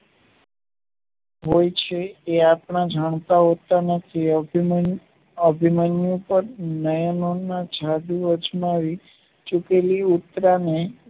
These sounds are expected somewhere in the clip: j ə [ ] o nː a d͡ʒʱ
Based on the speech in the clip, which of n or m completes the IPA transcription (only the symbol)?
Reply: n